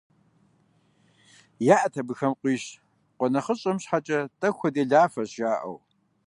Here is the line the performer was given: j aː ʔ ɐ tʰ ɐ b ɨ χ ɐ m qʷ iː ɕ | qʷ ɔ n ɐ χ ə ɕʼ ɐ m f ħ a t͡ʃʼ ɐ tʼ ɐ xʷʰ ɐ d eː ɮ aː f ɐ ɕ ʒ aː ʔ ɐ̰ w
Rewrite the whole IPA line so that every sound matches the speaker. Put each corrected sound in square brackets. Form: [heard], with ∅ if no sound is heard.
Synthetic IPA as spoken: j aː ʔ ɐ tʰ ɐ b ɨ [x] ɐ m qʷ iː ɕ | qʷ ɔ n ɐ χ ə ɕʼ ɐ m [ɕ] ħ a t͡ʃʼ ɐ tʼ ɐ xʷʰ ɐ d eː ɮ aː f ɐ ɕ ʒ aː ʔ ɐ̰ w